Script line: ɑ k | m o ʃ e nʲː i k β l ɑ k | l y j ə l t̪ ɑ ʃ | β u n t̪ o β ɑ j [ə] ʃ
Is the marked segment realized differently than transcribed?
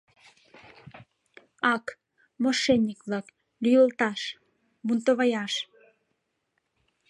yes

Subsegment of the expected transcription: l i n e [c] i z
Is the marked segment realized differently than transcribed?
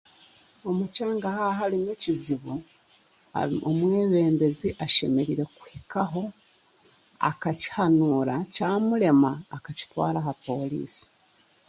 no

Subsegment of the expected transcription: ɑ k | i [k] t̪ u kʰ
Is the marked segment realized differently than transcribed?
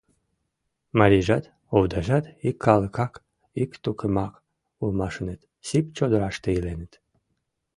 no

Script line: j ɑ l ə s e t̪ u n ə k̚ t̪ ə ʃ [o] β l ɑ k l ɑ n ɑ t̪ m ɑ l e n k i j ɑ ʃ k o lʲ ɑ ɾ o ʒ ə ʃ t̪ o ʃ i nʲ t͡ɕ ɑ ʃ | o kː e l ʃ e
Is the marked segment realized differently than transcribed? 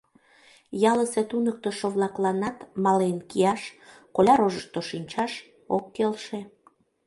no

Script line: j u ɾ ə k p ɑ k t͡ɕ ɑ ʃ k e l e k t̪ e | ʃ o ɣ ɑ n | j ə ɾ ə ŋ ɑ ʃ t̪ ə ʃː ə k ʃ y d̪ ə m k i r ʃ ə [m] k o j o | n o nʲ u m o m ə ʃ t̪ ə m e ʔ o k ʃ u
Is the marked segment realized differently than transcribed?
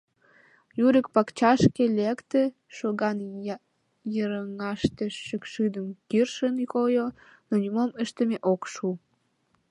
yes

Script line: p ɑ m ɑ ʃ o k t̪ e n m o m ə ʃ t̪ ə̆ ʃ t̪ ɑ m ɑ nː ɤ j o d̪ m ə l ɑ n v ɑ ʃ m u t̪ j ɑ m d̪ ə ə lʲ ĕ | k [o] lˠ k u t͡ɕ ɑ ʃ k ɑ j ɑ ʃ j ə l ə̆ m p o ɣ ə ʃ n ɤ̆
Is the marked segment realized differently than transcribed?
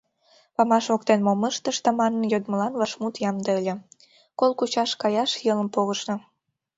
no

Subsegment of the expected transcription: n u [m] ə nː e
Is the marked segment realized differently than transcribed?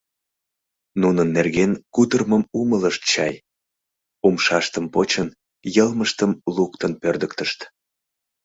yes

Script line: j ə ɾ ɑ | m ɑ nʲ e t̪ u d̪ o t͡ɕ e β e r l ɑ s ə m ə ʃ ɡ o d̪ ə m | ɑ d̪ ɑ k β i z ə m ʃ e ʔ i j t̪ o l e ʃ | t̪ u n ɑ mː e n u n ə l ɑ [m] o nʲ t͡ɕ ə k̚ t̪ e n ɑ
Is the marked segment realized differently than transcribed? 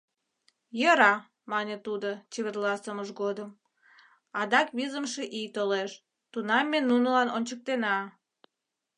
yes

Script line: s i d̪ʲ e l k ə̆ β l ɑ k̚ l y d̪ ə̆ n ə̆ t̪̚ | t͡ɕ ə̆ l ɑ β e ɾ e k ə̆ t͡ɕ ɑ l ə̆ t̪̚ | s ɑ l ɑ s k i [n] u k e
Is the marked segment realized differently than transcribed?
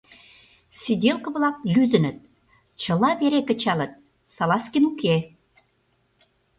no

